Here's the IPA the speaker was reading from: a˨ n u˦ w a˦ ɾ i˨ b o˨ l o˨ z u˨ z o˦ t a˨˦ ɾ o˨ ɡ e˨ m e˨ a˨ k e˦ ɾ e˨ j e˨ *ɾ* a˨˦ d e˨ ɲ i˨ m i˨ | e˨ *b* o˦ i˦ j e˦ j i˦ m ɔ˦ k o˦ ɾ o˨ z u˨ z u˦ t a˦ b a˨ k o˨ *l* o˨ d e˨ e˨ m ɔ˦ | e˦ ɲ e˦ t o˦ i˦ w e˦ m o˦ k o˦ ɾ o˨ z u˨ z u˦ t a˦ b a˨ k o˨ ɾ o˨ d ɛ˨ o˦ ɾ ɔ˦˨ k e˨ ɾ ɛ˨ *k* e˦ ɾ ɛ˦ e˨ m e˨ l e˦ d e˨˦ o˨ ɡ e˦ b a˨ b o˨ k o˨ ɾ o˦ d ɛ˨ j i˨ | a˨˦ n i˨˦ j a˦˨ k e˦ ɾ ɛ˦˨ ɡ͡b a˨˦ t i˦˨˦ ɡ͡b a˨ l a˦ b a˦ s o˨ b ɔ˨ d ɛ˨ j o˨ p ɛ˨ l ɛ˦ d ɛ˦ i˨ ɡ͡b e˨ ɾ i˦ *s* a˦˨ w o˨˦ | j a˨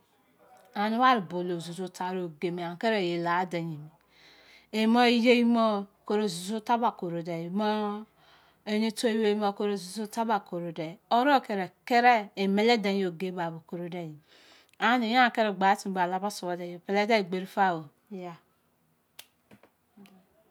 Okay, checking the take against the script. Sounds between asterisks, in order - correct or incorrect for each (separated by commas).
incorrect, incorrect, incorrect, correct, incorrect